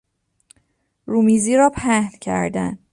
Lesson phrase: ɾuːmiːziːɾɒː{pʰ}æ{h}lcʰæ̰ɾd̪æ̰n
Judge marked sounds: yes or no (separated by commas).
yes, yes